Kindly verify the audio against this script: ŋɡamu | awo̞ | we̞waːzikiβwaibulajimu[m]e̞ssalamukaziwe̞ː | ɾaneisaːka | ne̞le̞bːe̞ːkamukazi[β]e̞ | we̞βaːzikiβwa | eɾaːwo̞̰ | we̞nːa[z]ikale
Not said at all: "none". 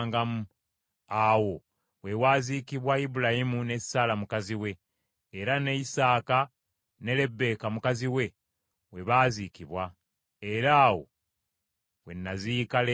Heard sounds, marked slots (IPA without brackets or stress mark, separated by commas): n, w, z